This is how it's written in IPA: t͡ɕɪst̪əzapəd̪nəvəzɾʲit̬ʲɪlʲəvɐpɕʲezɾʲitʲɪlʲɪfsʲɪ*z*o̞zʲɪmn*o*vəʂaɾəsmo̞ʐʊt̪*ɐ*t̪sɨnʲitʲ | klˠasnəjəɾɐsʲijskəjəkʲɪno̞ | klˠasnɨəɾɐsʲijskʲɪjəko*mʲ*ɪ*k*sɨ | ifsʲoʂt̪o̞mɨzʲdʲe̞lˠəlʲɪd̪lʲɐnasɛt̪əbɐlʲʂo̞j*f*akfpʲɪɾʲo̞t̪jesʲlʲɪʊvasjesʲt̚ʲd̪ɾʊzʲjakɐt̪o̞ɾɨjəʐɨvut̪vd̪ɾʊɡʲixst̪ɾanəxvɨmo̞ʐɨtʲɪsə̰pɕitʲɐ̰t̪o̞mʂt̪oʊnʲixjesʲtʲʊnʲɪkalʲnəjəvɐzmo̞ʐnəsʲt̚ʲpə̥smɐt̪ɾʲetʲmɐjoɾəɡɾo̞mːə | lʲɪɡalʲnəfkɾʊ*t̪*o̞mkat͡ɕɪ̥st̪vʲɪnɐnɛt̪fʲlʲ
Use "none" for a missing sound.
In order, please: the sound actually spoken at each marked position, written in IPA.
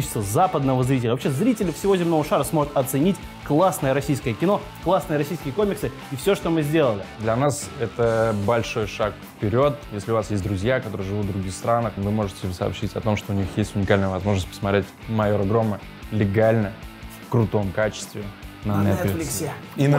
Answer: v, o, ɐ, mʲ, k, ʂ, t̪

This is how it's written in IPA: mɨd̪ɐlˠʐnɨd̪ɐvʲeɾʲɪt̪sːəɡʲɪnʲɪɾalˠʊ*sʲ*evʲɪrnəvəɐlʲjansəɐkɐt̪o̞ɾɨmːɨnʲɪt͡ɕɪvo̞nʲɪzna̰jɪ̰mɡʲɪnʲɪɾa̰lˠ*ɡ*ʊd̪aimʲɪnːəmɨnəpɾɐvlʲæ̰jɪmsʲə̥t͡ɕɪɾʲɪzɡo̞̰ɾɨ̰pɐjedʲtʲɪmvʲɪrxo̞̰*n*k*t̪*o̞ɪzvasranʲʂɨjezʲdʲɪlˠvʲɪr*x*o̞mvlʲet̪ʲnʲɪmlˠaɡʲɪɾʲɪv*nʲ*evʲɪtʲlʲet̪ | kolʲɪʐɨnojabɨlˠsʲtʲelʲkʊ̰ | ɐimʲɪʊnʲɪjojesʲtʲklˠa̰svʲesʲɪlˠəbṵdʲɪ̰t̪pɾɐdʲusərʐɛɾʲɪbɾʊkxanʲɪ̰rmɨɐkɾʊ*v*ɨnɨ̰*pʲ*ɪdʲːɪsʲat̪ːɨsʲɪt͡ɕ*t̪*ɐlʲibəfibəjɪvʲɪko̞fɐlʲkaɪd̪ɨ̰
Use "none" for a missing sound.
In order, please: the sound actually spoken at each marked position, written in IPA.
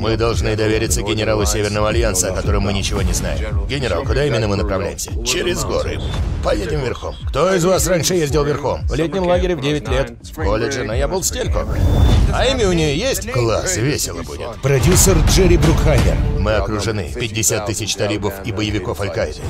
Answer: sʲ, k, m, t̪, x, dʲ, ʐ, pʲ, t̪

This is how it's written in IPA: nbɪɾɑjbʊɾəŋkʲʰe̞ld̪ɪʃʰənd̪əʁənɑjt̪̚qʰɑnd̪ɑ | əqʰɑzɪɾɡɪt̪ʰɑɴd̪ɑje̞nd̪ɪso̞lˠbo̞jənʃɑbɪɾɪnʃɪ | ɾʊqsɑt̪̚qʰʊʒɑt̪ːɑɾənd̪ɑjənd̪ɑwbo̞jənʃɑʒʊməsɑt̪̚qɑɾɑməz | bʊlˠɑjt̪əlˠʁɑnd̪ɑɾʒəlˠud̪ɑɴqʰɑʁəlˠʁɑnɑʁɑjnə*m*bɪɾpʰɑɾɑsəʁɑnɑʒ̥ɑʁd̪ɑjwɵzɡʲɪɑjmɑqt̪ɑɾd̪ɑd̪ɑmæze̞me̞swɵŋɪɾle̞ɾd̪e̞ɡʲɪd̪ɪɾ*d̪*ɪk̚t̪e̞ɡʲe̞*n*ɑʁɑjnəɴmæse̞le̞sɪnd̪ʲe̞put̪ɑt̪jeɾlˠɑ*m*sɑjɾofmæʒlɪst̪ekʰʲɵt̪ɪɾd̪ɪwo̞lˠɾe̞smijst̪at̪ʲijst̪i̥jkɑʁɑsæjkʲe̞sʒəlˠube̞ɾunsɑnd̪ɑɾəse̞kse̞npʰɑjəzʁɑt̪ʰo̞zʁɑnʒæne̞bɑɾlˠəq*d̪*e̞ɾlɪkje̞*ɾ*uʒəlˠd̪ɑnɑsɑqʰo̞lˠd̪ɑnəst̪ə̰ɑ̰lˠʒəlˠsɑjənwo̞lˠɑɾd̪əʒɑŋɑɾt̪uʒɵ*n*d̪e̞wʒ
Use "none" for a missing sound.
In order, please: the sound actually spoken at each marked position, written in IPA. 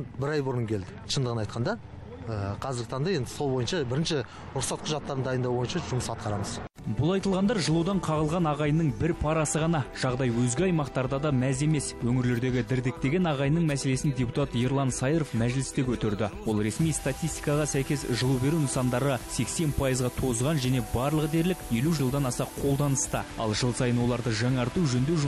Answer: ɴ, d̪, n, n, d̪, l, n

